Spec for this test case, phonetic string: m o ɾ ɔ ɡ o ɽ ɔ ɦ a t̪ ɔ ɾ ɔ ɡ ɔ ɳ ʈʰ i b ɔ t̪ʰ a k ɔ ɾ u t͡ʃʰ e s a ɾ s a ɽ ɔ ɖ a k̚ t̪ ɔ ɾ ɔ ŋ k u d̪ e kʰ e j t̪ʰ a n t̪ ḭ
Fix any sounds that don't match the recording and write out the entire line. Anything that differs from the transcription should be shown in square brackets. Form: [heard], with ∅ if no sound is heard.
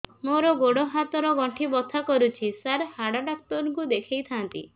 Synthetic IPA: m o ɾ ɔ ɡ o ɽ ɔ ɦ a t̪ ɔ ɾ ɔ ɡ ɔ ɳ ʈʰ i b ɔ t̪ʰ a k ɔ ɾ u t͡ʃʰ [i] s a ɾ [h] a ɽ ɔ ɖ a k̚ t̪ ɔ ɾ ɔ ŋ k u d̪ e kʰ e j t̪ʰ a n t̪ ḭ